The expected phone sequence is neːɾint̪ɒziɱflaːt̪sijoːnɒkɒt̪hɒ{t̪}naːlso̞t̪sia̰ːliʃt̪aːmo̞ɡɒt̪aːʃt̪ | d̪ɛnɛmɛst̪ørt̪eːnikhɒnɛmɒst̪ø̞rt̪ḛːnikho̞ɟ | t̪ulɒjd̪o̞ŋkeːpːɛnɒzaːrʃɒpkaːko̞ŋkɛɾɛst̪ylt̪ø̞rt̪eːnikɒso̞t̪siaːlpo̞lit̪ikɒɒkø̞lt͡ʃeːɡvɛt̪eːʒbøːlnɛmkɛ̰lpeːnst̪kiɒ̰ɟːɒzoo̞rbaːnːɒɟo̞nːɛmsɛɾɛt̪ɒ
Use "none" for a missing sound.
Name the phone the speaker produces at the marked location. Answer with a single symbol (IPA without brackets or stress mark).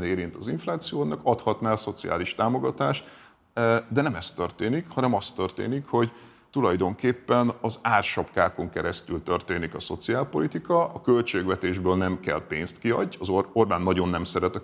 t̪